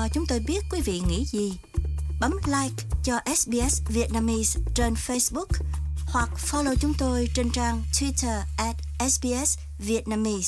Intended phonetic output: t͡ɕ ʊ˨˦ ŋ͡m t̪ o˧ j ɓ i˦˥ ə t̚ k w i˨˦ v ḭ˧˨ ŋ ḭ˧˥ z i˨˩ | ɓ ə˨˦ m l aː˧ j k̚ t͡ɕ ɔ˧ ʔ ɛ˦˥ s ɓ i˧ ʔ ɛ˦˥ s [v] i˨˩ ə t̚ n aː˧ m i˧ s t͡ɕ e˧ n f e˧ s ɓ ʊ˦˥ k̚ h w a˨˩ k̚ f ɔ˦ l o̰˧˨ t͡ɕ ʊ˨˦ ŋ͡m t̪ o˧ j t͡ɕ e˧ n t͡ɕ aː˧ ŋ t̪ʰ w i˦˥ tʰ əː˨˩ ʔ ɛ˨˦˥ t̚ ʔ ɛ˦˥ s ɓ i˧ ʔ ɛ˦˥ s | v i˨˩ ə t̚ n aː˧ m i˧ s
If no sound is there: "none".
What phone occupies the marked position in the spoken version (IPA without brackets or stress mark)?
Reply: v